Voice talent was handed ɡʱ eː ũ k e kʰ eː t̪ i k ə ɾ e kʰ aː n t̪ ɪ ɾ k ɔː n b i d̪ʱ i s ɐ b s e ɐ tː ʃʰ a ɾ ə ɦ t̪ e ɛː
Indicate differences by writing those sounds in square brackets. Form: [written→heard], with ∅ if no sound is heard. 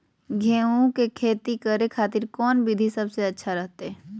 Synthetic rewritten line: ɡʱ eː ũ k e kʰ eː t̪ i k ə ɾ e kʰ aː [n→∅] t̪ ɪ ɾ k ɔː n b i d̪ʱ i s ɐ b s e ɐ tː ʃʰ a ɾ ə ɦ t̪ e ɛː